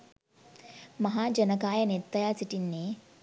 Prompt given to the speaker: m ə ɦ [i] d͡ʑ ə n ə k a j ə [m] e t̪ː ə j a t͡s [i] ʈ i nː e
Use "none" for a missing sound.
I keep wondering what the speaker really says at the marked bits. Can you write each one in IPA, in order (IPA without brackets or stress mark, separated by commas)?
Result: a, n, i